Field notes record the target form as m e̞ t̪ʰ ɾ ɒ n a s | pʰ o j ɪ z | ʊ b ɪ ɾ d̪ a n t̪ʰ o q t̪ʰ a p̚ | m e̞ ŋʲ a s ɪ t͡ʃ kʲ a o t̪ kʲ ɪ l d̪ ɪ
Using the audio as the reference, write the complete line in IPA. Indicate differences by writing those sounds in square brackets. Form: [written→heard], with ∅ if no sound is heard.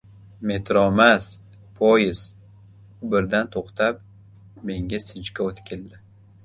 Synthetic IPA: m e̞ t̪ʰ ɾ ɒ [n→m] a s | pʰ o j ɪ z | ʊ b ɪ ɾ d̪ a n t̪ʰ o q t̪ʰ a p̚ | m e̞ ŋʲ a s ɪ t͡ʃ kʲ a o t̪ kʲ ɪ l d̪ ɪ